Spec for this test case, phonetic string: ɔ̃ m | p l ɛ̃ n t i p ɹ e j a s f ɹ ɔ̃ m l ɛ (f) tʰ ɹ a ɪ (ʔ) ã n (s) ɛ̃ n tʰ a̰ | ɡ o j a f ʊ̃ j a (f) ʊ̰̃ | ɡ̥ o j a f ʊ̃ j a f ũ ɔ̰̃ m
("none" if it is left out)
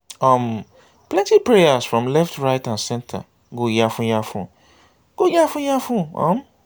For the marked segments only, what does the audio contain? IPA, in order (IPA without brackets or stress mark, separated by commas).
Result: f, t, s, f